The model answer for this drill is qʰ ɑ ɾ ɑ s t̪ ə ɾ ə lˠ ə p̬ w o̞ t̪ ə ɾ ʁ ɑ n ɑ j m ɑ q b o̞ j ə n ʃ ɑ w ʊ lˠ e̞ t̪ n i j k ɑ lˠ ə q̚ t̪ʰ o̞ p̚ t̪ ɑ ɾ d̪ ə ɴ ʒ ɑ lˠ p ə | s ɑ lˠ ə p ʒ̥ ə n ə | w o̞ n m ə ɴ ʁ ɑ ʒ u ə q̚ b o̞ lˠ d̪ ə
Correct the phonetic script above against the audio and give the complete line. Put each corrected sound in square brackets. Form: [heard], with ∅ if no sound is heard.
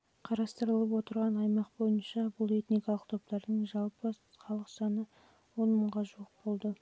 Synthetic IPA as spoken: qʰ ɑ ɾ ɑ s t̪ ə ɾ ə lˠ ə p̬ w o̞ t̪ ə ɾ ʁ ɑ n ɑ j m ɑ q b o̞ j ə n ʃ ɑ [b] ʊ lˠ e̞ t̪ n i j k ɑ lˠ ə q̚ t̪ʰ o̞ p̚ t̪ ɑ ɾ d̪ ə ɴ ʒ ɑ lˠ p ə | [χ] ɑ lˠ ə [q] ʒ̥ [ɑ] n ə | w o̞ n m ə ɴ ʁ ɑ ʒ u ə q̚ b o̞ lˠ d̪ ə

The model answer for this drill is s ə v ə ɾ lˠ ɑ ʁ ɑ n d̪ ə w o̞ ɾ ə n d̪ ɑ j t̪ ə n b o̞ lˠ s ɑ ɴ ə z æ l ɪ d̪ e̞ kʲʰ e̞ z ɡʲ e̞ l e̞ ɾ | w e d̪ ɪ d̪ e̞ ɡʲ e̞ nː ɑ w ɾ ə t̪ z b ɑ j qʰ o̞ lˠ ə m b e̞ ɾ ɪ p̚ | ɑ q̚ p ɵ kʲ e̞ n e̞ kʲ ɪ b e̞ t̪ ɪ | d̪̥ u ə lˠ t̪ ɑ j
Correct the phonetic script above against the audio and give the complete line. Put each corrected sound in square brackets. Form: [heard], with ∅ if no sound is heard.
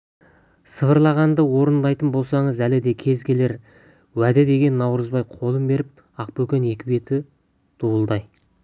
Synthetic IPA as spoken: s ə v ə ɾ lˠ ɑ ʁ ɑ n d̪ ə w o̞ ɾ ə n d̪ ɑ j t̪ ə n b o̞ lˠ s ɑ ɴ ə z æ l ɪ d̪ e̞ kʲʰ e̞ z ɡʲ e̞ l e̞ ɾ | w [æ] d̪ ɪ d̪ e̞ ɡʲ e̞ nː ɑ w ɾ ə [∅] z b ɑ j qʰ o̞ lˠ ə m b e̞ ɾ ɪ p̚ | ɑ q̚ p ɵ kʲ e̞ n e̞ kʲ ɪ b e̞ t̪ ɪ | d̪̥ u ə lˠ [d̪] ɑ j

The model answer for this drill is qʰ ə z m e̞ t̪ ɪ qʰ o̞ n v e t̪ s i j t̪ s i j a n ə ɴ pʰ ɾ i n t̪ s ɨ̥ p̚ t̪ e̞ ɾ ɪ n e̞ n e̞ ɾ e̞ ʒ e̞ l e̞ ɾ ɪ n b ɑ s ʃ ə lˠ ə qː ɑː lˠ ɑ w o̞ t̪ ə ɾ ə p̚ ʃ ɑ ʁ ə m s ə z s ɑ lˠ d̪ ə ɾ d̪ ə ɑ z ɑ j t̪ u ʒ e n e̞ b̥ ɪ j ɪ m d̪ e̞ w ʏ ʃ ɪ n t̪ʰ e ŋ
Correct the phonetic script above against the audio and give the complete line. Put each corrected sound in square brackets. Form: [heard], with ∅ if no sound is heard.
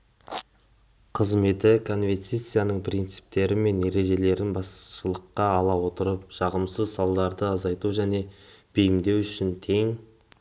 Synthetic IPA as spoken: qʰ ə z m e̞ t̪ ɪ [kʰ] o̞ n v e t̪ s i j t̪ s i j a n ə ɴ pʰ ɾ i n t̪ s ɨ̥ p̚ t̪ e̞ ɾ ɪ [m] e̞ n e̞ ɾ e̞ ʒ e̞ l e̞ ɾ ɪ n b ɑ s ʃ ə lˠ ə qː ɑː lˠ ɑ w o̞ t̪ ə ɾ ə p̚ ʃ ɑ ʁ ə m s ə z s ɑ lˠ d̪ [ɑ] ɾ d̪ ə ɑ z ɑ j t̪ u ʒ [æ] n e̞ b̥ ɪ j ɪ m d̪ e̞ w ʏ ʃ ɪ n t̪ʰ e ŋ

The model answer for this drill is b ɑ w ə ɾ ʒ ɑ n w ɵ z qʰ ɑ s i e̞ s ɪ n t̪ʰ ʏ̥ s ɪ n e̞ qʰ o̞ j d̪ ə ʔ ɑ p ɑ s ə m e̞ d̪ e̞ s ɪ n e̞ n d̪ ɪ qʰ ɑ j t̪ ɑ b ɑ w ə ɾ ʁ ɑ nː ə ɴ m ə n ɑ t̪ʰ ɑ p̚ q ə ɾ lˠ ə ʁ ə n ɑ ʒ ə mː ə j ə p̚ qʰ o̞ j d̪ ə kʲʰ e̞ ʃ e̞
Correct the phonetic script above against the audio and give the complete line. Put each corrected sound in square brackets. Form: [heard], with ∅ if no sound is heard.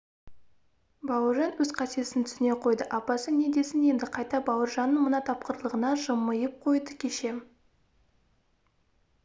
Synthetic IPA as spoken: b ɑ w ə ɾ ʒ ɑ n w ɵ z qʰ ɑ s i e̞ s ɪ n t̪ʰ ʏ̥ s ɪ n e̞ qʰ o̞ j d̪ ə ʔ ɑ p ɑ s ə [n] e̞ d̪ e̞ s ɪ n e̞ n d̪ ɪ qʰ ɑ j t̪ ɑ b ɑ w ə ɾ [ʒ] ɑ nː ə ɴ m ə n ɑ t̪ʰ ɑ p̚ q ə ɾ lˠ ə ʁ ə n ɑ ʒ ə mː ə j ə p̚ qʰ o̞ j d̪ ə kʲʰ e̞ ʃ e̞

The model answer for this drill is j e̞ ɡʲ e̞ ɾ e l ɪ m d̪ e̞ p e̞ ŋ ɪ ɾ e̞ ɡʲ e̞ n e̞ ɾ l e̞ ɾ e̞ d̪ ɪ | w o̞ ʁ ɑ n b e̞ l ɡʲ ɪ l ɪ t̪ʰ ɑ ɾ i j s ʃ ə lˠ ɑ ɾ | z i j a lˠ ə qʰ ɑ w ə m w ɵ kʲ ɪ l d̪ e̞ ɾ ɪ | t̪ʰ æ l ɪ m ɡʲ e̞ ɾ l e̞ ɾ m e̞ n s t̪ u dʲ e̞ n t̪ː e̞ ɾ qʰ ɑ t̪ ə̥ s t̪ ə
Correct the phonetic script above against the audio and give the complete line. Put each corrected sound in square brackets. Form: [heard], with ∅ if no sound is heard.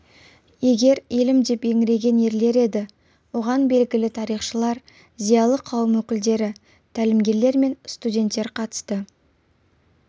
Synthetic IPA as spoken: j e̞ ɡʲ e̞ ɾ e l ɪ m d̪ e̞ p e̞ ŋ ɪ ɾ e̞ ɡʲ e̞ n e̞ ɾ l e̞ ɾ e̞ d̪ ɪ | w o̞ ʁ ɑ n b e̞ l ɡʲ ɪ l ɪ t̪ʰ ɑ ɾ i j [χ] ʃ ə lˠ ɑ ɾ | z i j [ɑ] lˠ ə qʰ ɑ w ə m w ɵ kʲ ɪ l d̪ e̞ ɾ ɪ | t̪ʰ æ l ɪ m ɡʲ e̞ ɾ l e̞ ɾ m e̞ n s t̪ u dʲ e̞ n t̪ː e̞ ɾ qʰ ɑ t̪ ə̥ s t̪ ə

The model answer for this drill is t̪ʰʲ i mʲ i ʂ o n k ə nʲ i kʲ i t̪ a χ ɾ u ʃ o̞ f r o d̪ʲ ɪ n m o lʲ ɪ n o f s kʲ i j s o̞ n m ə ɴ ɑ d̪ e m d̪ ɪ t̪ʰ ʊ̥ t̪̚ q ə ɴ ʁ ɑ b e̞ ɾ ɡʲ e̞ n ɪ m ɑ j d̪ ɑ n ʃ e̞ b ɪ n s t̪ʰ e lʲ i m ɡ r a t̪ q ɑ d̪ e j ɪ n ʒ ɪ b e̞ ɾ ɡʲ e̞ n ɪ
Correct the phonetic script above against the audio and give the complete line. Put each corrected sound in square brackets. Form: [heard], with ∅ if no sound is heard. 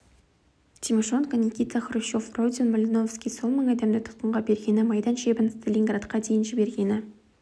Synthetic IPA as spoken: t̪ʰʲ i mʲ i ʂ o n k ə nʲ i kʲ i t̪ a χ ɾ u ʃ o̞ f r o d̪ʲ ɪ n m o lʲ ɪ n o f s kʲ i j s o̞ n m ə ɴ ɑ d̪ e m d̪ ɪ t̪ʰ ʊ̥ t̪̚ q ə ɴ ʁ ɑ b e̞ ɾ ɡʲ e̞ n ɪ m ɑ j d̪ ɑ n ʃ e̞ b ɪ n s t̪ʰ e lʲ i [ŋ] ɡ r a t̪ q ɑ d̪ e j ɪ n ʒ ɪ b e̞ ɾ ɡʲ e̞ n ɪ

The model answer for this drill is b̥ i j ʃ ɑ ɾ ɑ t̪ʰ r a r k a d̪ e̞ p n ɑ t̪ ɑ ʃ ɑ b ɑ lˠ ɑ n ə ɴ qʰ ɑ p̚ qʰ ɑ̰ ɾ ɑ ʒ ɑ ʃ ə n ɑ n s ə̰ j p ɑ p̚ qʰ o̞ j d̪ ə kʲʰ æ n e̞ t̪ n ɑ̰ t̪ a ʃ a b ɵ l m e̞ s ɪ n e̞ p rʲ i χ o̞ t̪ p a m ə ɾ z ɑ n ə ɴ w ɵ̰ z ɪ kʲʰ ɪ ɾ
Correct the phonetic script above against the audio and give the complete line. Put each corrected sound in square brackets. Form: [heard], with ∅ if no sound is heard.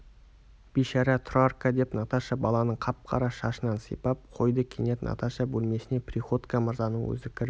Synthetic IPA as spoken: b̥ i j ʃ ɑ ɾ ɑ t̪ʰ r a r k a d̪ e̞ p n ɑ t̪ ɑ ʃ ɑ b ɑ lˠ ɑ n ə ɴ qʰ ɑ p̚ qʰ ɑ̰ ɾ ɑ [ʃ] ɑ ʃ ə n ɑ n s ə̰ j p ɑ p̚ qʰ o̞ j d̪ ə kʲʰ [e] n e̞ t̪ n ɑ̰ t̪ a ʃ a b ɵ l m e̞ s ɪ n e̞ p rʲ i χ o̞ t̪ [k] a m ə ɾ z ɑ n ə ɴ w ɵ̰ z ɪ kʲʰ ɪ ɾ

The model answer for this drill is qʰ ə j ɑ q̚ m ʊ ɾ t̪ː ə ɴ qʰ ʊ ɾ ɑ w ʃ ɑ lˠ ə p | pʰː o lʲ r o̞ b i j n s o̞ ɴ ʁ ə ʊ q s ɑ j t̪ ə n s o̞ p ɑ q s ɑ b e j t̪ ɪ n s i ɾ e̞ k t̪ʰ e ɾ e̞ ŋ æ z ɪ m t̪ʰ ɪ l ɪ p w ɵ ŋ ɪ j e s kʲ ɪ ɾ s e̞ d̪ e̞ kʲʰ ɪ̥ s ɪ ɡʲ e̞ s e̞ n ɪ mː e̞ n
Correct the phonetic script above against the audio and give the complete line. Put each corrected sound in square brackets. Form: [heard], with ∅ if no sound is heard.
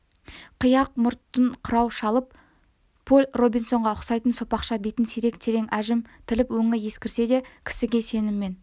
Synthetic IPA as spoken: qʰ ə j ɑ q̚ m ʊ ɾ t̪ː ə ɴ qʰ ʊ ɾ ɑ w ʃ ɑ lˠ ə p | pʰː o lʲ r o̞ b i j n s o̞ ɴ ʁ [ɑ] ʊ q s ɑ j t̪ ə n s o̞ p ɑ q [ʃ] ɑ b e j t̪ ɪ n s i ɾ e̞ k t̪ʰ e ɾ e̞ ŋ æ [ʒ] ɪ m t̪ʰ ɪ l ɪ p w ɵ ŋ ɪ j e s kʲ ɪ ɾ s e̞ d̪ e̞ kʲʰ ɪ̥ s ɪ ɡʲ e̞ s e̞ n ɪ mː e̞ n

